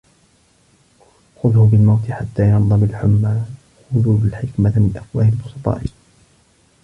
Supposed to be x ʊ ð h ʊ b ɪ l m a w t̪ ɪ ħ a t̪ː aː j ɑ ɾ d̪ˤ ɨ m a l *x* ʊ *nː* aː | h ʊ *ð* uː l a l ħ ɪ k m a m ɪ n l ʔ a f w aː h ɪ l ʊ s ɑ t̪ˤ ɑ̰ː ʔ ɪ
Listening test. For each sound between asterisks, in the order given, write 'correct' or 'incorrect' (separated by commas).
incorrect, incorrect, correct